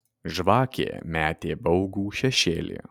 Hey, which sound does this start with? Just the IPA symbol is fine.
ʒ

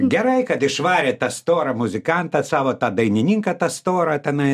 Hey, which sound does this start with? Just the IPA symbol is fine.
ɡʲ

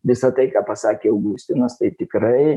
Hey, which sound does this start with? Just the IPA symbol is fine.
ʋʲ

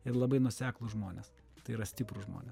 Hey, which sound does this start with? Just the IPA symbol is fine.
ɪ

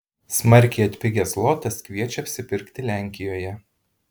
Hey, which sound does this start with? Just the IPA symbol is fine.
s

